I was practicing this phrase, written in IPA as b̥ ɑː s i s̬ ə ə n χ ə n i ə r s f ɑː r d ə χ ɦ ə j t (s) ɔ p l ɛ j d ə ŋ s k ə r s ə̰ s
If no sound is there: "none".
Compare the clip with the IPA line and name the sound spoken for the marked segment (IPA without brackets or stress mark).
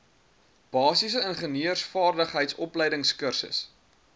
s